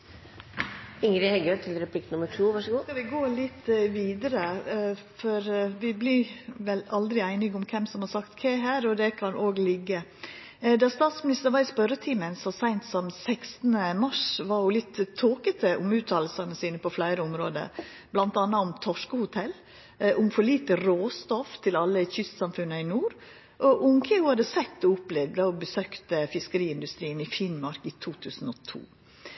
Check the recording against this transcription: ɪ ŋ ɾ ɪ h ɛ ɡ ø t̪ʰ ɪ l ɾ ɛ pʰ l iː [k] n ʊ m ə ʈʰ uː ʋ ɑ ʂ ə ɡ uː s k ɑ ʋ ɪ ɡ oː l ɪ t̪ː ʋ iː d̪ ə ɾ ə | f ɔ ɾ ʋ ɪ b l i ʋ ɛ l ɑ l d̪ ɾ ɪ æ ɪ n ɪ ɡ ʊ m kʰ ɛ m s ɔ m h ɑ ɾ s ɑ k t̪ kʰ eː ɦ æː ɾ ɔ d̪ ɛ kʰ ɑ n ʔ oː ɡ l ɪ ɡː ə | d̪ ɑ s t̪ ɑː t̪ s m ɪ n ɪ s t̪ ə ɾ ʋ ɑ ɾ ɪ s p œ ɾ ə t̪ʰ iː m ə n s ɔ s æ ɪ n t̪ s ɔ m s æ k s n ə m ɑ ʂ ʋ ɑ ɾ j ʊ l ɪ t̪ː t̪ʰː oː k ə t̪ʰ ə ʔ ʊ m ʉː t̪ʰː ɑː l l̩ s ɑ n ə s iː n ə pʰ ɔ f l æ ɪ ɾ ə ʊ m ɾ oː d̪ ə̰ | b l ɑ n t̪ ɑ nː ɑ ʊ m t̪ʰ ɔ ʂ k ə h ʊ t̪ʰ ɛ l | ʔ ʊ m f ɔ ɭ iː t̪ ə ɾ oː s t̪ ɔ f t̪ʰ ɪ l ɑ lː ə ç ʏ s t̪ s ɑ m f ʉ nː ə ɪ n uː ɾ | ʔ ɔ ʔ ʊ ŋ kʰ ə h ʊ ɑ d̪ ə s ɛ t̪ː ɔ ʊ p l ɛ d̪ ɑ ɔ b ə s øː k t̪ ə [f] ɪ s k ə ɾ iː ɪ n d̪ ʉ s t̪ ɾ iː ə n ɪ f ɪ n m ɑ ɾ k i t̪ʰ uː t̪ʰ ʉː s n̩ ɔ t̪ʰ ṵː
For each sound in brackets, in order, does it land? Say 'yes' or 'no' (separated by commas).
yes, yes